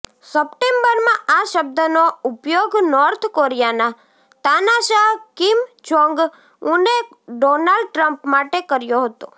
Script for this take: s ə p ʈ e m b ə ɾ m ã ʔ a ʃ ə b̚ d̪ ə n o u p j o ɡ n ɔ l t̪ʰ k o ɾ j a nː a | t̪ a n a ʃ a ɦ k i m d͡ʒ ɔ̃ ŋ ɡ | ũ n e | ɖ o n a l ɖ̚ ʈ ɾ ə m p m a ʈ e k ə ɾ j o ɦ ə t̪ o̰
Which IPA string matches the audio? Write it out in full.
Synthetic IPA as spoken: s ə p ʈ e m b ə ɾ m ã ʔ a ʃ ə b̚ d̪ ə n o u p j o ɡ n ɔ ɾ t̪ʰ k o ɾ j a n a | t̪ a n a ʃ a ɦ k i m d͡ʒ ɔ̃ ŋ ɡ | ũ n e | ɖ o n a l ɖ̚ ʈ ɾ ə m p m a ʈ e k ə ɾ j o ɦ ə t̪ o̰